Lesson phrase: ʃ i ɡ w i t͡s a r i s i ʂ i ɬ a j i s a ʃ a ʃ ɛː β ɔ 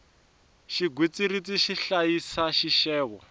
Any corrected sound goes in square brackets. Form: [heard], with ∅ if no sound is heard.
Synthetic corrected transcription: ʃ i ɡ w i t͡s [i] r i [t͡s] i [ʃ] i ɬ a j i s a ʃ [i] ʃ ɛː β ɔ